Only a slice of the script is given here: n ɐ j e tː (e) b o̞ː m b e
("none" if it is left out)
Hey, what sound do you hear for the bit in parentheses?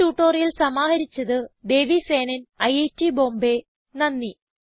i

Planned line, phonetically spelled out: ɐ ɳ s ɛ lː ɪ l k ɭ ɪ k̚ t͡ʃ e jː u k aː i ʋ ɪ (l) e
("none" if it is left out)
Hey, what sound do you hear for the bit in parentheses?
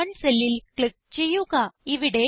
ɽ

